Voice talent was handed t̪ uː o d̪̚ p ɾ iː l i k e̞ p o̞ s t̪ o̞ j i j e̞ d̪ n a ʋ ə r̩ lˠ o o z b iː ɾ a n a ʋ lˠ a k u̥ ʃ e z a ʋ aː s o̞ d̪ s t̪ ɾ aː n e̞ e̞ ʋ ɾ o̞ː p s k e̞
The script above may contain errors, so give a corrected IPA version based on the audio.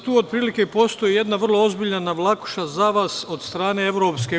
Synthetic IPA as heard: t̪ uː o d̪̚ p ɾ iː l i k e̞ p o̞ s t̪ o̞ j i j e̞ d̪ n a ʋ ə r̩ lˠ o o z b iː ʎ a n a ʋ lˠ a k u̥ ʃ a z a ʋ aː s o̞ d̪ s t̪ ɾ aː n e̞ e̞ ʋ ɾ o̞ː p s k e̞